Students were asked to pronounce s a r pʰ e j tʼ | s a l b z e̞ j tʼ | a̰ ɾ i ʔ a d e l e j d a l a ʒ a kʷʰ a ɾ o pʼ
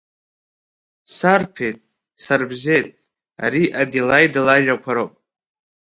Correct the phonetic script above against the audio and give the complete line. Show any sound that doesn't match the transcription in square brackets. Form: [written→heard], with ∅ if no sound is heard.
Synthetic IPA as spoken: s a r pʰ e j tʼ | s a [l→r] b z e̞ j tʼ | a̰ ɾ i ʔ a d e l [e→a] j d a l a ʒ a kʷʰ a ɾ o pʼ